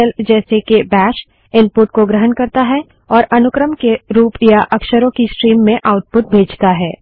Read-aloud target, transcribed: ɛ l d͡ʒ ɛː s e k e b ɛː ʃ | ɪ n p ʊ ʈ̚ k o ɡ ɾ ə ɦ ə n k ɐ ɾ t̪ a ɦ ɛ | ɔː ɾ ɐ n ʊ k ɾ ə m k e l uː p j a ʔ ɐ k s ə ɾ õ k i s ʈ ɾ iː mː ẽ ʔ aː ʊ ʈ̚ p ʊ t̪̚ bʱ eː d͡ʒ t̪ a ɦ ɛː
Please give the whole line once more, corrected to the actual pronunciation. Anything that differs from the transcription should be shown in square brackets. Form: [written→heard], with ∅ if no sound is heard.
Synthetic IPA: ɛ l d͡ʒ ɛː s e k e b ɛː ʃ | ɪ n p ʊ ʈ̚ k o ɡ ɾ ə ɦ ə n k ɐ ɾ t̪ a ɦ ɛ | ɔː ɾ ɐ n ʊ k ɾ ə m k e [l→ɾ] uː p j a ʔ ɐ k [s→ʃ] ə ɾ õ k i s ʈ ɾ iː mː ẽ ʔ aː ʊ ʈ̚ p ʊ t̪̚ bʱ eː d͡ʒ t̪ a ɦ ɛː